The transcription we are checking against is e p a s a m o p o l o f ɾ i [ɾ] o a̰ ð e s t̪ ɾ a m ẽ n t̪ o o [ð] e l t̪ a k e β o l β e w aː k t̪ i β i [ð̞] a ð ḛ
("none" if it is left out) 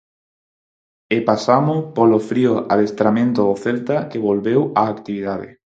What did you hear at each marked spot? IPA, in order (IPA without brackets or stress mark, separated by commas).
none, θ, ð̞